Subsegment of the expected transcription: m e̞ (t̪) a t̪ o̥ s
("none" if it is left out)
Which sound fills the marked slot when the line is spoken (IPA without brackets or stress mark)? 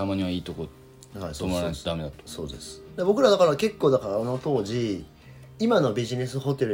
d̪